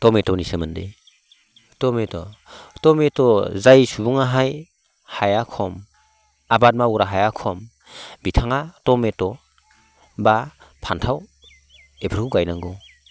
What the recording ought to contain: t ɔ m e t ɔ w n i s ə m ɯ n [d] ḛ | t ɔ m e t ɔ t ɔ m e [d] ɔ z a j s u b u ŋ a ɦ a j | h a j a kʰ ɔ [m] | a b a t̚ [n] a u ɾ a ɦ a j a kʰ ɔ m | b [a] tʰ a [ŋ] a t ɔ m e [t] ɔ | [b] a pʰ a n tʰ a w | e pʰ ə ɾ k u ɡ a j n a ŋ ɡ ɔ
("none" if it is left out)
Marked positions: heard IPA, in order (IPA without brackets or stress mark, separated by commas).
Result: d, t, m, m, i, ŋ, t, b